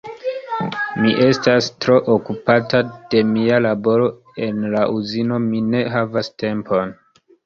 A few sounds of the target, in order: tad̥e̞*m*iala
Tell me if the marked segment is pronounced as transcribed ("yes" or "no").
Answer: yes